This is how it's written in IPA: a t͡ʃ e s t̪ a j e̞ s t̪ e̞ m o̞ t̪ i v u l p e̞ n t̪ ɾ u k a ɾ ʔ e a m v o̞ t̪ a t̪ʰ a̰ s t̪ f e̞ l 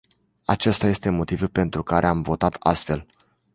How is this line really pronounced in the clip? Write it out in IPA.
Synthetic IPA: a t͡ʃ e s t̪ a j e̞ s t̪ e̞ m o̞ t̪ i v u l p e̞ n t̪ ɾ u k a ɾ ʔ e a m v o̞ t̪ a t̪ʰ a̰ s t̪ f e̞ l